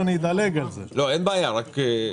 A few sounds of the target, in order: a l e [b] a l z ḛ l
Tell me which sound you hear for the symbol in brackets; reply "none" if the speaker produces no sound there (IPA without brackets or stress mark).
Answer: ɡ